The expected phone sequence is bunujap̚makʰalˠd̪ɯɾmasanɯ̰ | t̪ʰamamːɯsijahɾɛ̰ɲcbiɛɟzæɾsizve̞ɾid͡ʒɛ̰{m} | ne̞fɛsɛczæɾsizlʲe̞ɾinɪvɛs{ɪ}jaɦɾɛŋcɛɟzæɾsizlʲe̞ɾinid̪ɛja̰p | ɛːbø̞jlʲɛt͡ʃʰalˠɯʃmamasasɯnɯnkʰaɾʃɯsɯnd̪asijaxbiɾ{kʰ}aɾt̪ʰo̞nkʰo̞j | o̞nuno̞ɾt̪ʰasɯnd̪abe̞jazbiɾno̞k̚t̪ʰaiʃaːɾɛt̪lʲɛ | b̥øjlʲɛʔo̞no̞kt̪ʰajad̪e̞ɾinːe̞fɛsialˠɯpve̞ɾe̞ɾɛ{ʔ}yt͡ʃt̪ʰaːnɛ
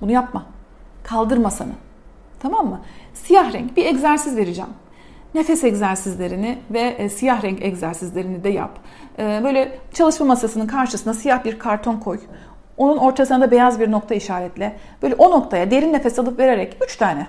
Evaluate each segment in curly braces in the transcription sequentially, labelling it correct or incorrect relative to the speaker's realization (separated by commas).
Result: correct, incorrect, correct, incorrect